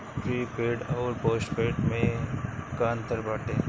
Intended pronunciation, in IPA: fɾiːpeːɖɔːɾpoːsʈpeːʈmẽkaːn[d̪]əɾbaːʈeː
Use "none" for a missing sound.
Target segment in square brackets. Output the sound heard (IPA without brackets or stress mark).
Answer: t̪